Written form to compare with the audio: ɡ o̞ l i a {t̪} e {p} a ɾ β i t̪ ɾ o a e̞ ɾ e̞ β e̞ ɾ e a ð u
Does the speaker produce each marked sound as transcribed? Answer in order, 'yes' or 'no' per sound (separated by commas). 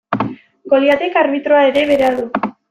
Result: yes, no